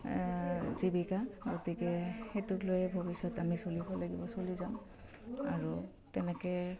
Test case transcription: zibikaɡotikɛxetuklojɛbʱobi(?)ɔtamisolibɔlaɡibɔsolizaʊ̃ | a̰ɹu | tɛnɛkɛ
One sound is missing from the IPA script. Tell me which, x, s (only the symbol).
s